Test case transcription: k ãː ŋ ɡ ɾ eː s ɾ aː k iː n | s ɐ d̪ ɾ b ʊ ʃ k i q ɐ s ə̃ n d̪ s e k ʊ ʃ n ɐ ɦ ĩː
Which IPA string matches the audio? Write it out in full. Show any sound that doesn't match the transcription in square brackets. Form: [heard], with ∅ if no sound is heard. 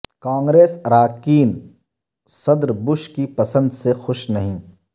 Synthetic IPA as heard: k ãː ŋ ɡ ɾ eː s ɾ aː k iː n | s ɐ d̪ ɾ b ʊ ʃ k i [p] ɐ s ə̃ n d̪ s e [x] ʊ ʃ n ɐ ɦ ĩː